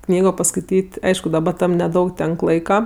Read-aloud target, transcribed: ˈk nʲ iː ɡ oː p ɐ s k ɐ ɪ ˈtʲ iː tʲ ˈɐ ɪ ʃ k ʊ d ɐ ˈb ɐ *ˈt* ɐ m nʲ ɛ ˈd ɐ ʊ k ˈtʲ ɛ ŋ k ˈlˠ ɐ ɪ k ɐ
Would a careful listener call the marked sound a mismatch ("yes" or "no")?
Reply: no